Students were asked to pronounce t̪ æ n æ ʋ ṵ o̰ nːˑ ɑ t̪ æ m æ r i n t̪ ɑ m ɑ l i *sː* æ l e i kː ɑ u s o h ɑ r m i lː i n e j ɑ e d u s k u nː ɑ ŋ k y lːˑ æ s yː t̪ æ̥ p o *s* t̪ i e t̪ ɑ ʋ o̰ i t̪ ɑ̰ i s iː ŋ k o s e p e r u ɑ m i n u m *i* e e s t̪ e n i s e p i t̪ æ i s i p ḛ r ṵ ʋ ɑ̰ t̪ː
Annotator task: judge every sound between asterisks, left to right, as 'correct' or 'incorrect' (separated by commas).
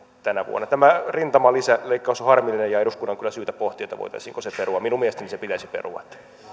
incorrect, incorrect, correct